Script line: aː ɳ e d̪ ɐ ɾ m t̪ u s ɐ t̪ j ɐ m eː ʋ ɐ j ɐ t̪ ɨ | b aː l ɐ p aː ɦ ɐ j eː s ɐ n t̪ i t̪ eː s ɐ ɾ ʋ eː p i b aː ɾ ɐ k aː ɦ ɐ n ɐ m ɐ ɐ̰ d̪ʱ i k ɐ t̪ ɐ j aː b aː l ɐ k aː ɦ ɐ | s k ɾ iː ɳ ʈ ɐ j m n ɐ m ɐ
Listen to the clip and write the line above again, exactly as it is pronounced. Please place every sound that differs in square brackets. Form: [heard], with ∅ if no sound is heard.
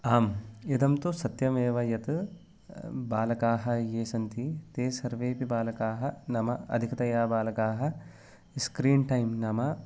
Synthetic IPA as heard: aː [m] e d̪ ɐ [∅] m t̪ u s ɐ t̪ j ɐ m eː ʋ ɐ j ɐ t̪ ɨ | b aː l ɐ [k] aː ɦ ɐ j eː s ɐ n t̪ i t̪ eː s ɐ ɾ ʋ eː p i b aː [l] ɐ k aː ɦ ɐ n ɐ m ɐ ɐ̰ d̪ʱ i k ɐ t̪ ɐ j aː b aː l ɐ k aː ɦ ɐ | s k ɾ iː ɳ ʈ ɐ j m n ɐ m ɐ